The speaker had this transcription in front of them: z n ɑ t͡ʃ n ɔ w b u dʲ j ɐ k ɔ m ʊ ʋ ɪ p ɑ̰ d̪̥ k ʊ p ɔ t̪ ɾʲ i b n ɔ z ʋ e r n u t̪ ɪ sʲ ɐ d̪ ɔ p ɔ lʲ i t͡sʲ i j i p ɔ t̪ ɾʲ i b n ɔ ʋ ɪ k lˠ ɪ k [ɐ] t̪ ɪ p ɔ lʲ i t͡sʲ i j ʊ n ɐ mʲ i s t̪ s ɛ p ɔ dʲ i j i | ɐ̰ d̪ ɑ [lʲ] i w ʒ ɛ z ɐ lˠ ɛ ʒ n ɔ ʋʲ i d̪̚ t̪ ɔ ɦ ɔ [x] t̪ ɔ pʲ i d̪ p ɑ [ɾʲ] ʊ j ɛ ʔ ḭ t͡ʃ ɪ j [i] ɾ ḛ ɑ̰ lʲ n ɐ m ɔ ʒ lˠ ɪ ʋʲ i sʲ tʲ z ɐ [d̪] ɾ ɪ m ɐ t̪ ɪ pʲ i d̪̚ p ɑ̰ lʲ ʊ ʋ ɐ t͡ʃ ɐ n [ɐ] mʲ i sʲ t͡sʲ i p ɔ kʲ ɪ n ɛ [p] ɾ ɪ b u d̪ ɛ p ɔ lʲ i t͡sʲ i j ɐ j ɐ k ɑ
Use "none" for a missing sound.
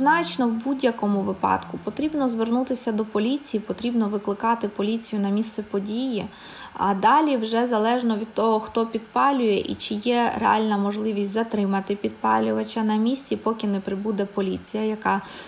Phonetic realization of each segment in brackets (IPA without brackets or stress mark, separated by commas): ɑ, lʲ, x, lʲ, ɛ, t̪, ɐ, p